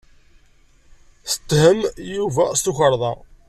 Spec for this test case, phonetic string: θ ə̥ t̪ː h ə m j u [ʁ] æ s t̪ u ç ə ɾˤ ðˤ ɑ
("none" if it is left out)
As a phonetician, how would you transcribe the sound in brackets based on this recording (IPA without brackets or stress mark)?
v